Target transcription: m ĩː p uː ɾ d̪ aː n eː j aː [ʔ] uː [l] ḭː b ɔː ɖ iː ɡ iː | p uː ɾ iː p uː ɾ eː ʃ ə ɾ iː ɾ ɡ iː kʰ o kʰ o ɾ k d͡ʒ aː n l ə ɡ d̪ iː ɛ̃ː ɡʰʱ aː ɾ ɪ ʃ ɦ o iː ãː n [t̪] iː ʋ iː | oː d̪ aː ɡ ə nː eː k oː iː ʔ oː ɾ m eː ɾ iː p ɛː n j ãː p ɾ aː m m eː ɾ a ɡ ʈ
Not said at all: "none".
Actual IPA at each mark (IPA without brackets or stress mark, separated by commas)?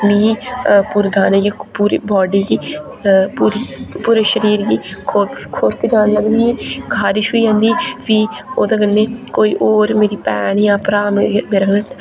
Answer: p, ɾ, d̪